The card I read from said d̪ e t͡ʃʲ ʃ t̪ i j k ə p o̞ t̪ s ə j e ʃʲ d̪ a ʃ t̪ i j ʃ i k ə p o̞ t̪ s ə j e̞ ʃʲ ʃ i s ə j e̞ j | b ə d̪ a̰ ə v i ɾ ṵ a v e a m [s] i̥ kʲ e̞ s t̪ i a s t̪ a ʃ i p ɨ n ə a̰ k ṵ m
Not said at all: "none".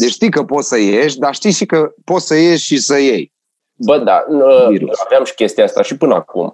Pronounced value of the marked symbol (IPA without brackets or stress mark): ʃ